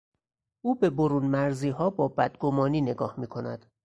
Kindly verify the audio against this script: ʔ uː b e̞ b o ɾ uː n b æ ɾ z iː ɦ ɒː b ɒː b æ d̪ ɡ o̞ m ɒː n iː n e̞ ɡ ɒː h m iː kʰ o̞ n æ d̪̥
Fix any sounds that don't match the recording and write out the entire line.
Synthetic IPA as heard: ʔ uː b e̞ b o ɾ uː n m æ ɾ z iː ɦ ɒː b ɒː b æ d̪ ɡ o̞ m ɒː n iː n e̞ ɡ ɒː h m iː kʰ o̞ n æ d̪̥